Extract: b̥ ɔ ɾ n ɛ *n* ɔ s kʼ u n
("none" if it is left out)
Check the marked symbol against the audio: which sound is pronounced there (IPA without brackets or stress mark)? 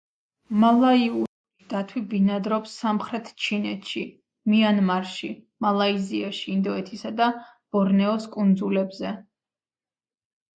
none